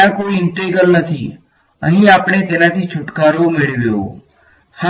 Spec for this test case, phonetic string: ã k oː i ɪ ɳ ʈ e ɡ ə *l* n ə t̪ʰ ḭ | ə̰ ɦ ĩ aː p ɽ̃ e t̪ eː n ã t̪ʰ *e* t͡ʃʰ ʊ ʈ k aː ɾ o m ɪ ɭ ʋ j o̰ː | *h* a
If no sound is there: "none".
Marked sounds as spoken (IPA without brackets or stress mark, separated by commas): l, i, h